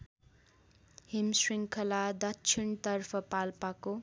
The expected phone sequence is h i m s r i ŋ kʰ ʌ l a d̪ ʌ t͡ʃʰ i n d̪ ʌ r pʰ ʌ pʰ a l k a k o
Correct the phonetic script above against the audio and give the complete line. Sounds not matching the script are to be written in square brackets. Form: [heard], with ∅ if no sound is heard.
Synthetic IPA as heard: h i m s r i ŋ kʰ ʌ l a d̪ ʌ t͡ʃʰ i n [t̪] ʌ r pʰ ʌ [p] a l [p] a k o